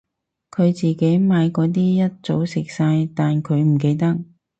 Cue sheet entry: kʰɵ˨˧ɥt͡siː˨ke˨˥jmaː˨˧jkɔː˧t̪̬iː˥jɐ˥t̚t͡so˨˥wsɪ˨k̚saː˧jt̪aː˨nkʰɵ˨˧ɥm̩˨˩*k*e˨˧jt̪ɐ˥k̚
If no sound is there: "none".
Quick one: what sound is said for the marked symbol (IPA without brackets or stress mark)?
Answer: k